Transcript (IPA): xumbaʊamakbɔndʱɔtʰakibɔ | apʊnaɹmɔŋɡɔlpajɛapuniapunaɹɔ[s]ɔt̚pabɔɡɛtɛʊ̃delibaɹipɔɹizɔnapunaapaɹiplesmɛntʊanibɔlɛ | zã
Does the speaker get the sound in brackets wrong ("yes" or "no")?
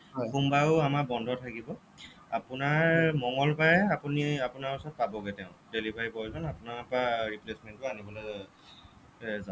no